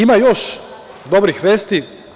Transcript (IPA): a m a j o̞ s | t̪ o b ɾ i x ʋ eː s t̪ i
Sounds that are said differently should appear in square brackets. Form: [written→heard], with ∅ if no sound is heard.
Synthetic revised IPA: [a→i] m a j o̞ [s→ʃ] | [t̪→d̪] o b ɾ i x ʋ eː s t̪ i